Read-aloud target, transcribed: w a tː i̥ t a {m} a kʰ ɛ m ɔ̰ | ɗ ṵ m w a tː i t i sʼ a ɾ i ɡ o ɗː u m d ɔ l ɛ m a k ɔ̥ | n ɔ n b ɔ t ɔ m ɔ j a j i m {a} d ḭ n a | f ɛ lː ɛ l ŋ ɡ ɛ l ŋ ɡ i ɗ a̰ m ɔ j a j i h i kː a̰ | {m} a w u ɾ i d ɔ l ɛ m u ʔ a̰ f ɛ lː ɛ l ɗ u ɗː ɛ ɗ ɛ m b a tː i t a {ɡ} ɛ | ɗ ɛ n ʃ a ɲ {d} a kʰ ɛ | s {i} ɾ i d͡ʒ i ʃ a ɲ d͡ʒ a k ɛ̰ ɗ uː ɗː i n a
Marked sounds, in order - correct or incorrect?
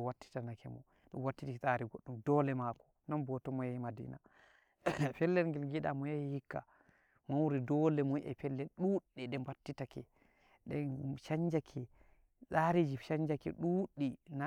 incorrect, correct, correct, incorrect, incorrect, incorrect

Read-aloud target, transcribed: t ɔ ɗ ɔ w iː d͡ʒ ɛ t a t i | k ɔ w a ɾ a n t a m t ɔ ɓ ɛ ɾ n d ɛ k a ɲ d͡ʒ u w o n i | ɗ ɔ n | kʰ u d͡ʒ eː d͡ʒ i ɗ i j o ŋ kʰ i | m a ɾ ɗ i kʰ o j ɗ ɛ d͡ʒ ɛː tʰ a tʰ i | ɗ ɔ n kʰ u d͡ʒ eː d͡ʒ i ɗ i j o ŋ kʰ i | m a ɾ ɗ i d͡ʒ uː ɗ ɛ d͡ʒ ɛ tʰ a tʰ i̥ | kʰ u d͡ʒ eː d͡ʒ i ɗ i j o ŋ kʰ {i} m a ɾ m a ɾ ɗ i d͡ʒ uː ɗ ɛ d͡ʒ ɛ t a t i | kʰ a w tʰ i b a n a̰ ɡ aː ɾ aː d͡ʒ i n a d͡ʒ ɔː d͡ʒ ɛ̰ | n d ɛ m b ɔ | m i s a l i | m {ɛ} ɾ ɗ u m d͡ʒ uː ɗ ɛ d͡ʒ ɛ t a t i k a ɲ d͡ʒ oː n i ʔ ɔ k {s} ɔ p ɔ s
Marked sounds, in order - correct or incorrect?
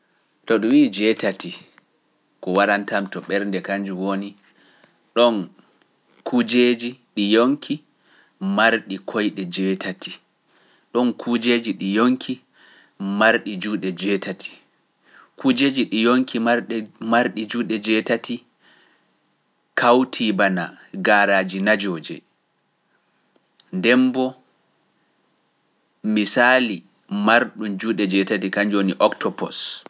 correct, incorrect, incorrect

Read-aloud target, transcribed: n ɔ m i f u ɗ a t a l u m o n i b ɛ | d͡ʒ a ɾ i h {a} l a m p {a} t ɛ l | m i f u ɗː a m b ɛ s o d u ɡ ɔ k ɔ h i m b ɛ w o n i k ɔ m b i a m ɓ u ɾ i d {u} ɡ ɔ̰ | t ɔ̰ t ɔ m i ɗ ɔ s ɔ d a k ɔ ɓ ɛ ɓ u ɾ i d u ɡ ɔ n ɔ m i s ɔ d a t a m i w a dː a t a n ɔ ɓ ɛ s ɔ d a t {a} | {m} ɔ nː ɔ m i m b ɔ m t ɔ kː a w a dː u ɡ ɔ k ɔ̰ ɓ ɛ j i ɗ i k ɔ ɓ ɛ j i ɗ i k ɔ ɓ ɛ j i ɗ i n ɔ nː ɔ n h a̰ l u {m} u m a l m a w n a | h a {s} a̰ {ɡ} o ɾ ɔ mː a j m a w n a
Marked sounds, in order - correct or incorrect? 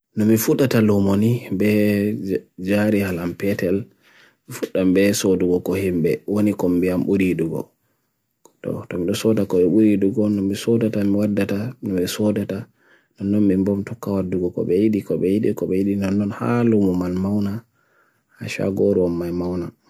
correct, incorrect, correct, correct, incorrect, correct, incorrect, correct

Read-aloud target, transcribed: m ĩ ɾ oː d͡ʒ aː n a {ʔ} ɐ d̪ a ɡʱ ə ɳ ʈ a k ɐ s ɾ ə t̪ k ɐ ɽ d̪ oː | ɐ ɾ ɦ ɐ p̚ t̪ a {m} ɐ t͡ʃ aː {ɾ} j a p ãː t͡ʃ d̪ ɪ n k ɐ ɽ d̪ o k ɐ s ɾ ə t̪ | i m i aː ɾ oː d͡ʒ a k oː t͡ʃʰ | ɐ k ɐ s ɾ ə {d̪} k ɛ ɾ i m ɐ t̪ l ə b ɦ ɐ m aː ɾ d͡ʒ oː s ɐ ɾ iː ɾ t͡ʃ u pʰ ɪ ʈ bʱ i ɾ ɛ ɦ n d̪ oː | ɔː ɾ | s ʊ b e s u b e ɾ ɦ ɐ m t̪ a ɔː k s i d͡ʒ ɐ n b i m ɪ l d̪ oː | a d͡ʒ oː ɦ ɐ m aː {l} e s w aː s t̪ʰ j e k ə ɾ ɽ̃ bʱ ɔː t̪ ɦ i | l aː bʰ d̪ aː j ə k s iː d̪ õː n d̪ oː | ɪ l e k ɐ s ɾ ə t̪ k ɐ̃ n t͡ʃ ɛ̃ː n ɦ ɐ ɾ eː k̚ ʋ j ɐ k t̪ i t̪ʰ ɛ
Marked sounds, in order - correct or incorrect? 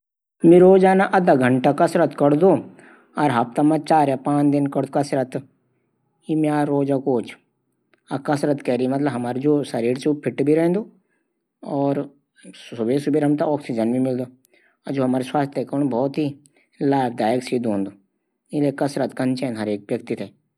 correct, correct, correct, incorrect, incorrect

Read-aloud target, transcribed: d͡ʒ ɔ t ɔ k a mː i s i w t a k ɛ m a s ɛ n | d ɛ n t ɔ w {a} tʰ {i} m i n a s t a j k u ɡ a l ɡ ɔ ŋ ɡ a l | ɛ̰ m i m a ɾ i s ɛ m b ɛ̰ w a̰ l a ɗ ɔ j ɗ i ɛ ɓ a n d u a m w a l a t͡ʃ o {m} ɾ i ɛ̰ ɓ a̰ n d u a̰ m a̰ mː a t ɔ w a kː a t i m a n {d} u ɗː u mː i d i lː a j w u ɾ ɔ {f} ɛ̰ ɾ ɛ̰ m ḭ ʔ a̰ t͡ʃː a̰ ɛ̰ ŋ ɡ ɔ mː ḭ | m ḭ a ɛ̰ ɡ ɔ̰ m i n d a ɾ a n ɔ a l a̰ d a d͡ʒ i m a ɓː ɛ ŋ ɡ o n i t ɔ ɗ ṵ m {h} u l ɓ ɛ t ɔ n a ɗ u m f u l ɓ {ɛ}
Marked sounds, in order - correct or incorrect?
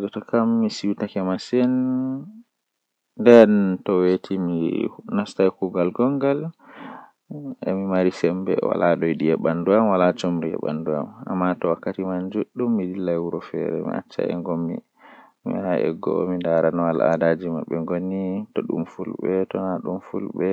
incorrect, correct, correct, incorrect, correct, incorrect, correct

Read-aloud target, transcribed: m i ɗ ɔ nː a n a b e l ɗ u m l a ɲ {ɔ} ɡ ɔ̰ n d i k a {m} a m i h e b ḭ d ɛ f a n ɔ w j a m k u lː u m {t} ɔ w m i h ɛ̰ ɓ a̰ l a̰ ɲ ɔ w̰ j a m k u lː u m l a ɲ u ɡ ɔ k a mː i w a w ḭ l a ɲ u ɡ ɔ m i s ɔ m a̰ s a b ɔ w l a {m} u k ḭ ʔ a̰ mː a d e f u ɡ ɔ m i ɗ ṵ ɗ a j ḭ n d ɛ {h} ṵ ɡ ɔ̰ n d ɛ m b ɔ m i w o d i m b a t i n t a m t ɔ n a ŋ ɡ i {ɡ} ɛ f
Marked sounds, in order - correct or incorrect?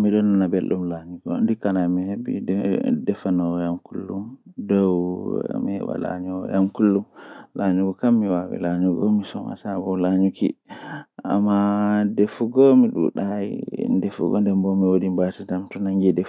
incorrect, incorrect, incorrect, incorrect, incorrect, incorrect

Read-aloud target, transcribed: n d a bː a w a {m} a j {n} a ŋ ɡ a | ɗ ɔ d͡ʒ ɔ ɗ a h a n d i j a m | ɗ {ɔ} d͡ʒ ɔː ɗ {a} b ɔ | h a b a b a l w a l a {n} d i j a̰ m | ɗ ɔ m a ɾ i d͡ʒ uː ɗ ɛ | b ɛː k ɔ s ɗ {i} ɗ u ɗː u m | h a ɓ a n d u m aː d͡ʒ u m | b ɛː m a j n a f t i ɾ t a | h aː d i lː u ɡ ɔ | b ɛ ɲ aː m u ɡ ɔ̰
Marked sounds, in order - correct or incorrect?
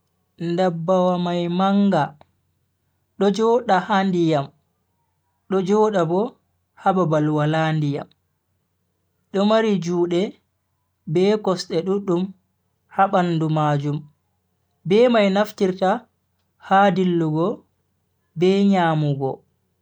correct, incorrect, correct, correct, correct, incorrect

